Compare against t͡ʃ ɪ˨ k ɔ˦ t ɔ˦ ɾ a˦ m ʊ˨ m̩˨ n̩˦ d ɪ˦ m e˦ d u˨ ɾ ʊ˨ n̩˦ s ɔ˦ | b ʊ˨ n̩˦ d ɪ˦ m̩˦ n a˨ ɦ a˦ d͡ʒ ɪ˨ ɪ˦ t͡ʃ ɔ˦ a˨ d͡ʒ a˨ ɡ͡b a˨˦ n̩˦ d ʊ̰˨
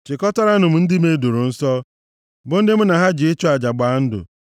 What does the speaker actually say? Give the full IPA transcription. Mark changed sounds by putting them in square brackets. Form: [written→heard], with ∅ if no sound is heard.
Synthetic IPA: t͡ʃ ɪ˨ k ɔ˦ t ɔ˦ ɾ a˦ [m→n] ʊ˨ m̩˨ n̩˦ d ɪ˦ m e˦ d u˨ ɾ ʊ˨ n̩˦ s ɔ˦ | b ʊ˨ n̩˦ d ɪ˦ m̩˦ n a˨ ɦ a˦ d͡ʒ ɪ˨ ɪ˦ t͡ʃ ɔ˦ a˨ d͡ʒ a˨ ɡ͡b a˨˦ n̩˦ d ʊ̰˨